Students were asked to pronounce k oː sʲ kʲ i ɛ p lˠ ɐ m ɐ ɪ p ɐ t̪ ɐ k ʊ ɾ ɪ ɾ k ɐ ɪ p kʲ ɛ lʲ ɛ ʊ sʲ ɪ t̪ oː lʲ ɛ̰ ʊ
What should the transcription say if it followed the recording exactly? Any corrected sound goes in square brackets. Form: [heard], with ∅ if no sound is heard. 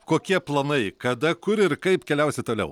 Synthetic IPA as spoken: k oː [∅] kʲ i ɛ p lˠ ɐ [n] ɐ ɪ [k] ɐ [d̪] ɐ k ʊ ɾ ɪ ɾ k ɐ ɪ p kʲ ɛ lʲ ɛ ʊ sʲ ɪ t̪ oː lʲ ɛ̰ ʊ